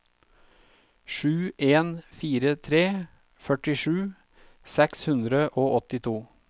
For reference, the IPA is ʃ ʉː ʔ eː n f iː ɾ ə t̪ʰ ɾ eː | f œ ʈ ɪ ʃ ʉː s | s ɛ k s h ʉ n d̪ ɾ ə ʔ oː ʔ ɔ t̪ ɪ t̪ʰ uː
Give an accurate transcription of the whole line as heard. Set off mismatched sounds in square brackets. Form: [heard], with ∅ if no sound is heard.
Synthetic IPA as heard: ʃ ʉː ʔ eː n f iː ɾ ə t̪ʰ ɾ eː | f œ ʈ ɪ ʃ ʉː [∅] | s ɛ k s h ʉ n d̪ ɾ ə ʔ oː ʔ ɔ t̪ ɪ t̪ʰ uː